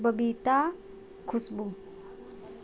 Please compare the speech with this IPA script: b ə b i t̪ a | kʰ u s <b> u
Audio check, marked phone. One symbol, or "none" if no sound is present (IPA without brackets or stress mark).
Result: b